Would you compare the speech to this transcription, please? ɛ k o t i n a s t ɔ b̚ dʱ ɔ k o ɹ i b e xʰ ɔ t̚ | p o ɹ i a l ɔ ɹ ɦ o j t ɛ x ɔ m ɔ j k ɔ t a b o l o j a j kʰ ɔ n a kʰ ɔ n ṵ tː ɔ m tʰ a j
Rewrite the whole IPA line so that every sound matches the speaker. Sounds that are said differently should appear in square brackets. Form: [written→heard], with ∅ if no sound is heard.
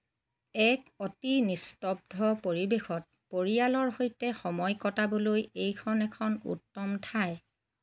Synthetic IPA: ɛ k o t i n [a→i] s t ɔ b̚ dʱ ɔ [k→p] o ɹ i b e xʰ ɔ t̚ | p o ɹ i a l ɔ ɹ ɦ o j t ɛ x ɔ m ɔ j k ɔ t a b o l o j [a→e] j kʰ ɔ n [a→ɛ] kʰ ɔ n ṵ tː ɔ m tʰ a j